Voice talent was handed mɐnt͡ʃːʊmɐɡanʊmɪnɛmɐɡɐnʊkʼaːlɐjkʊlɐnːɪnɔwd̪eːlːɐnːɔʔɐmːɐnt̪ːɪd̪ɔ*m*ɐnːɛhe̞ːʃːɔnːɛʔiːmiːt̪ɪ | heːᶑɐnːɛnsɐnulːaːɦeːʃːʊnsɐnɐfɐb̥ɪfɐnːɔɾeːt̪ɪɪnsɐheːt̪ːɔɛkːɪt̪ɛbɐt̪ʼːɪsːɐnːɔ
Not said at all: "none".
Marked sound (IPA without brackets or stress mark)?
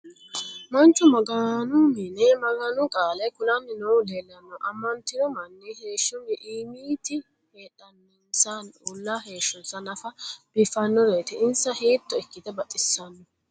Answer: m